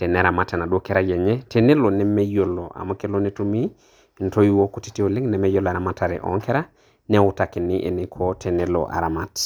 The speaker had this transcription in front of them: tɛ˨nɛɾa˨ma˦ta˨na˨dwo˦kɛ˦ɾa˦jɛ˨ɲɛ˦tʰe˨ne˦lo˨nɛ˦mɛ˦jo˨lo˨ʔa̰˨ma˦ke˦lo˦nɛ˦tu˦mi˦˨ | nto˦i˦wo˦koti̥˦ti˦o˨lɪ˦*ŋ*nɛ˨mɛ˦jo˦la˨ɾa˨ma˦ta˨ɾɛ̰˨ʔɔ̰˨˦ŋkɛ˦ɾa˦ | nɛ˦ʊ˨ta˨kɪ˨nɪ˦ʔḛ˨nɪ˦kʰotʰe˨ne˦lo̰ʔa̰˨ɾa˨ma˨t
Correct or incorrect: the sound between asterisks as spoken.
correct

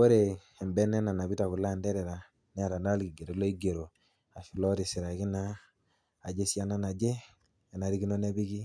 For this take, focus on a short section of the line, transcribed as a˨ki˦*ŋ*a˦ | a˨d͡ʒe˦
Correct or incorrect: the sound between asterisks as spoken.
incorrect: n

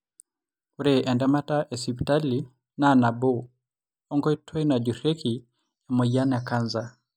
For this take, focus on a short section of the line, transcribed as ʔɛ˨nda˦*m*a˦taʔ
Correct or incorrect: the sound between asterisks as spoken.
correct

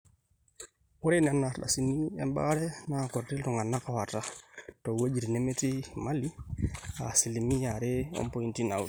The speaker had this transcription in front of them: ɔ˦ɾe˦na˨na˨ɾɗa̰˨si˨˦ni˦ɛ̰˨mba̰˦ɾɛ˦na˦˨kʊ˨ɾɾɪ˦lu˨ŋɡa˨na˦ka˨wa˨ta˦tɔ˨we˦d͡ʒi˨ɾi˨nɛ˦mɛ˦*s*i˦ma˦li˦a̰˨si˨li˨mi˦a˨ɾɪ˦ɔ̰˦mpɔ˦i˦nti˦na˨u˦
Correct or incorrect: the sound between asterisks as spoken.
incorrect: t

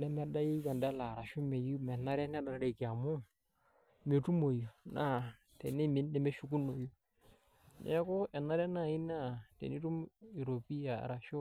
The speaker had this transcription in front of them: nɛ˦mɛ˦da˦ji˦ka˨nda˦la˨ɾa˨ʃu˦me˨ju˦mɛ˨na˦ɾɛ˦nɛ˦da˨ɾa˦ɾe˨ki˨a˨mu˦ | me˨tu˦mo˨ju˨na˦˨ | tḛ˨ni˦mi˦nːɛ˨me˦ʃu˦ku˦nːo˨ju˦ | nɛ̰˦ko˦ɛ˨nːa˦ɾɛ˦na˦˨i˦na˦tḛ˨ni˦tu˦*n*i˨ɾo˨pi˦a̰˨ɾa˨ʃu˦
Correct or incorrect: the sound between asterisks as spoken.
incorrect: m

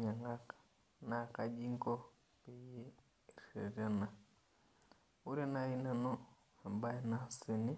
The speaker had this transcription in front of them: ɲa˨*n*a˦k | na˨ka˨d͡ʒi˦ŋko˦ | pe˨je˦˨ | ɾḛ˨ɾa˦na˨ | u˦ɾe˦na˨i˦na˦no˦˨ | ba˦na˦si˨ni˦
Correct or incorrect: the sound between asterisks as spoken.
incorrect: ŋ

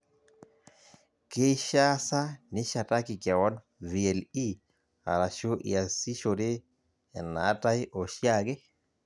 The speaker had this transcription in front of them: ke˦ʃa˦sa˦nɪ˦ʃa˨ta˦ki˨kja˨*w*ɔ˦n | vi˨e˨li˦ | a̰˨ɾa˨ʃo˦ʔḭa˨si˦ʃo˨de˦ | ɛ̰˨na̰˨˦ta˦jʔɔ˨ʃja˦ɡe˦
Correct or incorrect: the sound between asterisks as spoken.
correct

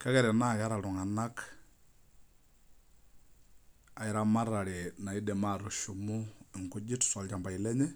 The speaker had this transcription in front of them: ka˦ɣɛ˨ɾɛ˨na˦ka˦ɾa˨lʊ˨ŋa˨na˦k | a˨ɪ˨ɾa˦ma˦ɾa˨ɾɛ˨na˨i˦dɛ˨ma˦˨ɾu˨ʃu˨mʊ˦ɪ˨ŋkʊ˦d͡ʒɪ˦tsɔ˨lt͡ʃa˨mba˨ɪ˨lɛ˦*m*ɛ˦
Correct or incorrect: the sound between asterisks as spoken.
incorrect: ɲ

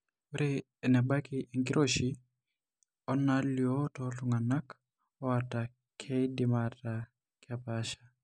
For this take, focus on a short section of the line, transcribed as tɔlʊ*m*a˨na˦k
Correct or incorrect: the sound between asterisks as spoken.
incorrect: ŋ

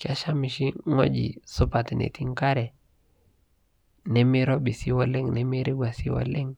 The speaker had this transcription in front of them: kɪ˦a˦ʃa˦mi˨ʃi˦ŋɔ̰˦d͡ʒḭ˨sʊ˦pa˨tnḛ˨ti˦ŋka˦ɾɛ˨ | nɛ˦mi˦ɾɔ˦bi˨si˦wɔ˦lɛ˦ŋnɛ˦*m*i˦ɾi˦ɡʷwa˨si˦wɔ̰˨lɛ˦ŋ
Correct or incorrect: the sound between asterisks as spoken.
correct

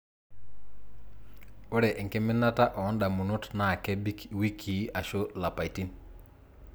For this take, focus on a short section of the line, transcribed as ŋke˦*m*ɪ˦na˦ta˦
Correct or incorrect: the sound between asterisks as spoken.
correct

